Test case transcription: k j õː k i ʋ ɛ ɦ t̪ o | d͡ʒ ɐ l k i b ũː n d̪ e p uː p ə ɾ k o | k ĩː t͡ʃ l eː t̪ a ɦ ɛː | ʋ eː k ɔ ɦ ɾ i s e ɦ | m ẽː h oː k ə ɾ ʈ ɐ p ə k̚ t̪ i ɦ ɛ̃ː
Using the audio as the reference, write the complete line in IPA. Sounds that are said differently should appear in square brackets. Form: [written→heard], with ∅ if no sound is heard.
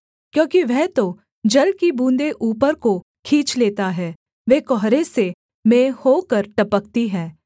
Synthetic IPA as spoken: k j õː k i ʋ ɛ ɦ t̪ o | d͡ʒ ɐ l k i b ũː n d̪ e [p→ʔ] uː p ə ɾ k o | [k→kʰ] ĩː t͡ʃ l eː t̪ a ɦ ɛː | ʋ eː k ɔ ɦ ɾ [i→e] s e [ɦ→∅] | m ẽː h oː k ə ɾ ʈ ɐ p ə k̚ t̪ i ɦ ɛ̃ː